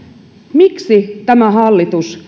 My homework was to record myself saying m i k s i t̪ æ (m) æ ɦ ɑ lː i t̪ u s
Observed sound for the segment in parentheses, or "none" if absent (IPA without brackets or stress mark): m